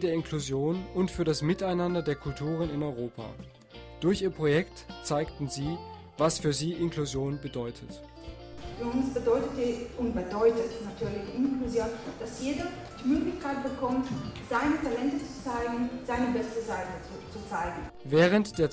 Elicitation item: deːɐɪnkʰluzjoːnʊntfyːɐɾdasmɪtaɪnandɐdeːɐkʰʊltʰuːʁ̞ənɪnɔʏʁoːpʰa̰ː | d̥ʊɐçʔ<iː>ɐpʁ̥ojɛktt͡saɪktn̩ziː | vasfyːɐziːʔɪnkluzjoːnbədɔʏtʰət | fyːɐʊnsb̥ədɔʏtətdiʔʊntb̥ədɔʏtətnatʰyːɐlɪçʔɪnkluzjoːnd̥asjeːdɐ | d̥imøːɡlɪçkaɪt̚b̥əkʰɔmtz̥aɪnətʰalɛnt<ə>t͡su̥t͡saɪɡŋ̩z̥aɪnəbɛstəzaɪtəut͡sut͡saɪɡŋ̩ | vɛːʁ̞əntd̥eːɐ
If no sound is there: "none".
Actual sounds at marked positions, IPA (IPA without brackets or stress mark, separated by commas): iː, ə